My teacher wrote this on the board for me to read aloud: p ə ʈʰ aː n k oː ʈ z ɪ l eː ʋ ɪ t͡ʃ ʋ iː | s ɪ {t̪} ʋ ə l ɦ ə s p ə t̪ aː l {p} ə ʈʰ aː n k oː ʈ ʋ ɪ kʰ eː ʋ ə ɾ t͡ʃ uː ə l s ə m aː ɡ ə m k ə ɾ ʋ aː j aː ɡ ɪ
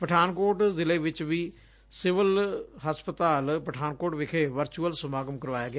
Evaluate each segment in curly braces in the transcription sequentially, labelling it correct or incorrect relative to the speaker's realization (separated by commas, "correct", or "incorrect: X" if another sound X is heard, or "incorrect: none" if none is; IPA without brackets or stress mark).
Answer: incorrect: none, correct